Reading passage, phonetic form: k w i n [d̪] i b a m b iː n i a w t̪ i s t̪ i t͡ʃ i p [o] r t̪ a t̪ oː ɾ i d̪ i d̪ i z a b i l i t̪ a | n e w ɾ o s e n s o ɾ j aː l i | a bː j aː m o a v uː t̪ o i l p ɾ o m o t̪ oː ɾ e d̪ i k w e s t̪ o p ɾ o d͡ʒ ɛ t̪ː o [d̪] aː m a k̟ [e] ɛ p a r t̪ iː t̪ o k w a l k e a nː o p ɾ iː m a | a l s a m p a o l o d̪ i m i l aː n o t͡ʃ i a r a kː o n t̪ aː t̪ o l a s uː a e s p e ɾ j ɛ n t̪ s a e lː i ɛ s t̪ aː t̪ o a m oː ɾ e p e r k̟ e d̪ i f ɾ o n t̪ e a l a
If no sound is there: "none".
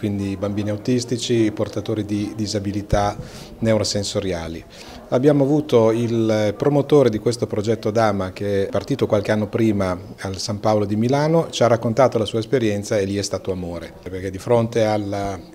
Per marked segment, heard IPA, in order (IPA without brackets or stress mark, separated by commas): d̪, o, d̪, e